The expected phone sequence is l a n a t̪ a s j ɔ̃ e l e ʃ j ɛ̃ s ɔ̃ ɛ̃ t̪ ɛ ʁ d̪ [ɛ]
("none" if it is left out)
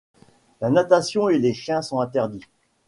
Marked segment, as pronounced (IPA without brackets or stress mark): i